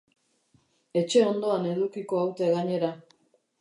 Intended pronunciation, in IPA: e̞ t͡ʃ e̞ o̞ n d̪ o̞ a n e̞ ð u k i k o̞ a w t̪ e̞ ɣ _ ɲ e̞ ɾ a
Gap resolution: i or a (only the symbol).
a